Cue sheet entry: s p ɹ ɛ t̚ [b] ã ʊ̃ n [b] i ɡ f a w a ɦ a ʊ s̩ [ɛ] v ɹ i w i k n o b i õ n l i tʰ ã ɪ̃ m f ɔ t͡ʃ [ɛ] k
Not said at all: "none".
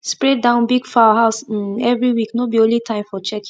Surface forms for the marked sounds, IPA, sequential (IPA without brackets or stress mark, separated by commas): d, b, ɛ, ɛ